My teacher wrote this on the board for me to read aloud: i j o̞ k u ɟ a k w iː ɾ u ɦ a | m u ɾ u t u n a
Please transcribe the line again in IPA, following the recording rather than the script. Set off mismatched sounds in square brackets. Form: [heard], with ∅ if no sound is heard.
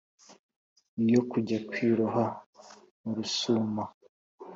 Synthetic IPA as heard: i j o̞ k u ɟ a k w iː ɾ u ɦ a | m u ɾ u [s] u [m] a